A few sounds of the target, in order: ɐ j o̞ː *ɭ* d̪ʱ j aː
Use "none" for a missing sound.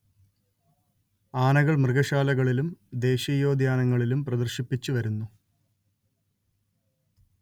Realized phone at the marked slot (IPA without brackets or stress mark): none